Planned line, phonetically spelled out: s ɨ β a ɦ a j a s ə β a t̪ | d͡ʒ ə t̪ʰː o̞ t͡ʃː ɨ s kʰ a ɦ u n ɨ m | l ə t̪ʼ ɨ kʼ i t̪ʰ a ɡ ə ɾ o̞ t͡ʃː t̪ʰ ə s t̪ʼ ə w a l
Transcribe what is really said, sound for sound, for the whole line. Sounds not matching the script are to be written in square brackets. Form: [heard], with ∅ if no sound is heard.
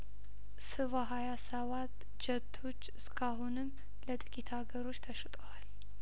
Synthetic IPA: s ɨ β a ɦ a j a s ə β a t̪ | d͡ʒ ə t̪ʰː o̞ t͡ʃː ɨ s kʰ a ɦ u n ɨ m | l ə t̪ʼ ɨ kʼ i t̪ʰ a ɡ ə ɾ o̞ t͡ʃː t̪ʰ ə [ʃ] t̪ʼ ə w a l